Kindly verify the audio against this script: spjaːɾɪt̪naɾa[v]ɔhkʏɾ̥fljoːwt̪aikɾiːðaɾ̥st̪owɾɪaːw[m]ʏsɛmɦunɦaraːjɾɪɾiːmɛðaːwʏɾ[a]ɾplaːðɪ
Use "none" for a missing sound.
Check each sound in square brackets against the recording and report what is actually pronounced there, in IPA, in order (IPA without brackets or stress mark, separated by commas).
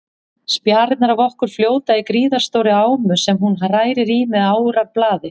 v, m, a